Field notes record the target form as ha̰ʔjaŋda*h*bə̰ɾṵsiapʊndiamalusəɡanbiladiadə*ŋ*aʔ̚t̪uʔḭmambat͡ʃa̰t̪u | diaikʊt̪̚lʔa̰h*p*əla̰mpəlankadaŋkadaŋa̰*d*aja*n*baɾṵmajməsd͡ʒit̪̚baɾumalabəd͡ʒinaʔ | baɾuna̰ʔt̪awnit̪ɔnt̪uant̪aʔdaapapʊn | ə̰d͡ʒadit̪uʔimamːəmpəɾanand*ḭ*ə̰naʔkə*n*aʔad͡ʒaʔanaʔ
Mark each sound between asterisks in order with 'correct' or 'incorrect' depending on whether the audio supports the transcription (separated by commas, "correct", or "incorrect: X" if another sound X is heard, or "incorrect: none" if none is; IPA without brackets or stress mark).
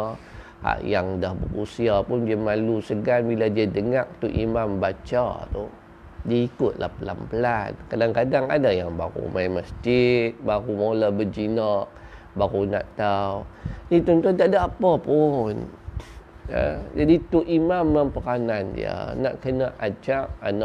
correct, correct, correct, correct, incorrect: ŋ, correct, correct